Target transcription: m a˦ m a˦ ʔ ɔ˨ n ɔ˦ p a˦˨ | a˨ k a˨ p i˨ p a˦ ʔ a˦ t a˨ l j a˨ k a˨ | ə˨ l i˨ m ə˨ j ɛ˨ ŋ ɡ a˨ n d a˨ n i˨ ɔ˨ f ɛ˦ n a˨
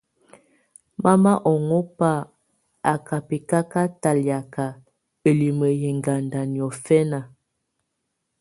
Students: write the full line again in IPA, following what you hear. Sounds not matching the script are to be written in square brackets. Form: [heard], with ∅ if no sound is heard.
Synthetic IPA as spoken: m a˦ m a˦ ʔ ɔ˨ [ŋ] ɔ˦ p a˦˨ | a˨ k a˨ p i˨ [k] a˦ [k] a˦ t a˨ l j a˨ k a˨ | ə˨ l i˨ m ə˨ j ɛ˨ ŋ ɡ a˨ n d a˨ n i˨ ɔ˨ f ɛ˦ n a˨